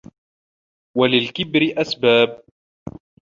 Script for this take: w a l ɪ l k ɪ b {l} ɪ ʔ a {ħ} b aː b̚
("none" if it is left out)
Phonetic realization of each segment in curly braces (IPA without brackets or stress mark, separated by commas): ɾ, s